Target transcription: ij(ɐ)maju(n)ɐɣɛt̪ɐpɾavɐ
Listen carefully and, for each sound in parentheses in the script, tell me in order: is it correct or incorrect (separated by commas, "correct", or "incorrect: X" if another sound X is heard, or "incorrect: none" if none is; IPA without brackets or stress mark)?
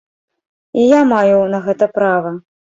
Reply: incorrect: a, correct